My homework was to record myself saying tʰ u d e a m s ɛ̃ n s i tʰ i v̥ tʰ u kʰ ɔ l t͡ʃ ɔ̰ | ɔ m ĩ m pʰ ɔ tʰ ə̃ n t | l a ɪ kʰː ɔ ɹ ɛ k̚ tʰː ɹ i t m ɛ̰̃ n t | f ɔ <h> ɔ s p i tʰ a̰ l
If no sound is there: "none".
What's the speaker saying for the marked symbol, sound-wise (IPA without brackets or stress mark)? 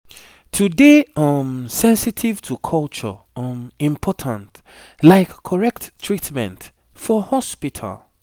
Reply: h